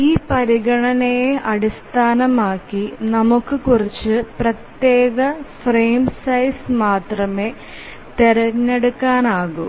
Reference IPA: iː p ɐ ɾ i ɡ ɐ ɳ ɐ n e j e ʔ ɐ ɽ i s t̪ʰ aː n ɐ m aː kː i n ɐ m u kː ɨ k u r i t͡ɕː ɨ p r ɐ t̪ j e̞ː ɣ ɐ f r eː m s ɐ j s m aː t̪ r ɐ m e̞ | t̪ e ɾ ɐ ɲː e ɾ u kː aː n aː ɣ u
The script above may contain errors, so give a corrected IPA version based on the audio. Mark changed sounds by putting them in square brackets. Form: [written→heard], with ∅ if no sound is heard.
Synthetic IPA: iː p ɐ ɾ i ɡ ɐ ɳ ɐ n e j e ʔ ɐ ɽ i s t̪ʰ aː n ɐ m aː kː i n ɐ m u kː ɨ k u r i t͡ɕː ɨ p r ɐ t̪ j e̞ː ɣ ɐ f r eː m s ɐ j s m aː t̪ r ɐ m e̞ | t̪ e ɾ ɐ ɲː e [ɾ→ɽ] u kː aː n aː ɣ u